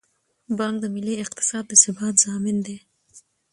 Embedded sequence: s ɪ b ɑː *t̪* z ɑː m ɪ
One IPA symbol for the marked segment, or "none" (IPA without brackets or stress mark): t̪